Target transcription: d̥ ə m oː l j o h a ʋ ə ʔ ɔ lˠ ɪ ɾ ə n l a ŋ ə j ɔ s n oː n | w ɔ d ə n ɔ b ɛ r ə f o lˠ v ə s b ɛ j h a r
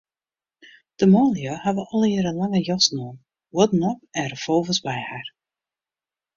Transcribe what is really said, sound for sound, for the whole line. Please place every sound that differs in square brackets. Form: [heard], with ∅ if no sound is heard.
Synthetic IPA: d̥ ə m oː l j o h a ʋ ə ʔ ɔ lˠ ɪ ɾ ə n l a ŋ ə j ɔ s n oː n | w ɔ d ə n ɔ [p] ɛ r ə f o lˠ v ə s b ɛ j h a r